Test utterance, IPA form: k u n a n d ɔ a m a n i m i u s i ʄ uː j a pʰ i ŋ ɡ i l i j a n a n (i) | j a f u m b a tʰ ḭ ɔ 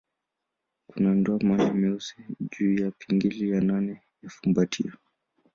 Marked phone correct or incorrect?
incorrect: ɛ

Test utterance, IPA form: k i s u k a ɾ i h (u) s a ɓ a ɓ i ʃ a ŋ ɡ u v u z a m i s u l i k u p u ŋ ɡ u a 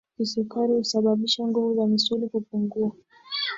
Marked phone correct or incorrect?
correct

